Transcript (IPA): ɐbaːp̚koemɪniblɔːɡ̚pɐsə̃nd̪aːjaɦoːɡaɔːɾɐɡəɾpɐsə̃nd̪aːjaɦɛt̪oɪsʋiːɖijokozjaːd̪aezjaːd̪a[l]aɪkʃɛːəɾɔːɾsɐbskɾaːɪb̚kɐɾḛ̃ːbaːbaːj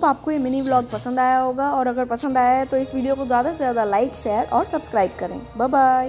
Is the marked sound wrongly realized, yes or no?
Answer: no